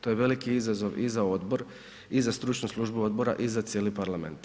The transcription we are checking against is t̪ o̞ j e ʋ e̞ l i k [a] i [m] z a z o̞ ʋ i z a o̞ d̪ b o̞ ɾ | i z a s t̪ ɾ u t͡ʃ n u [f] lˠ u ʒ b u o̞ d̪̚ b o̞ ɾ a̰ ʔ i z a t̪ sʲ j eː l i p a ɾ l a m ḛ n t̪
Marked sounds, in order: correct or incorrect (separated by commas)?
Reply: incorrect, incorrect, incorrect